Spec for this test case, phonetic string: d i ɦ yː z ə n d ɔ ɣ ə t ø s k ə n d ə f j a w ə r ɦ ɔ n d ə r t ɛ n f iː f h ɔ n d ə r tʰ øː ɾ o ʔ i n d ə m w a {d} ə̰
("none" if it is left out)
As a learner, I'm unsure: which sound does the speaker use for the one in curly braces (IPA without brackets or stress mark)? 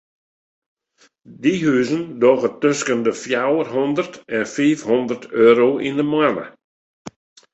n